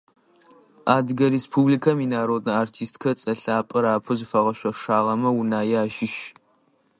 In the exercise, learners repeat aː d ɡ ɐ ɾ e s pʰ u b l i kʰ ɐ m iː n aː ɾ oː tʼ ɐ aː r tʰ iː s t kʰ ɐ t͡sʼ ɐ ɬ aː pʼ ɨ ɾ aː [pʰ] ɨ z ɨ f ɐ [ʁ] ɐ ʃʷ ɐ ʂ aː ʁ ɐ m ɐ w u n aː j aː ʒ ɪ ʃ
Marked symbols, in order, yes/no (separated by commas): yes, yes